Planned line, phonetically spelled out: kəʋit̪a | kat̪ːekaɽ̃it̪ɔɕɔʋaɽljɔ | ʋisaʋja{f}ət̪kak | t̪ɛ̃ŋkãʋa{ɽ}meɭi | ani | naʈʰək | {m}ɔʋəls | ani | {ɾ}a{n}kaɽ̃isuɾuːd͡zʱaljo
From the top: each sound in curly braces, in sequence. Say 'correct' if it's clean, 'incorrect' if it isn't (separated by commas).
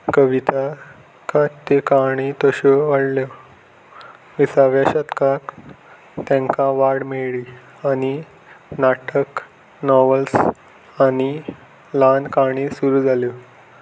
incorrect, correct, incorrect, incorrect, correct